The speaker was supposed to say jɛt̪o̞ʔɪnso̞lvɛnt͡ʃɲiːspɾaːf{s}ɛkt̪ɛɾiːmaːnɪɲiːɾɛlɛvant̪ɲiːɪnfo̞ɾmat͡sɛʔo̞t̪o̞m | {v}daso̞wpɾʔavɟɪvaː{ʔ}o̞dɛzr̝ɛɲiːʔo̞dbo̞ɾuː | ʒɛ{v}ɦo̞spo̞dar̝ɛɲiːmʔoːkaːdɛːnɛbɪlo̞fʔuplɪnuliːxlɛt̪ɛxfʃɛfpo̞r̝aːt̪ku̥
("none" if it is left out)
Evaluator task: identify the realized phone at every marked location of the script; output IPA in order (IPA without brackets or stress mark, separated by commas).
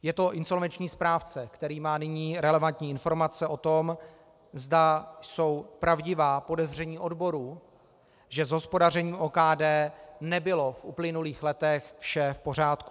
t͡s, z, p, z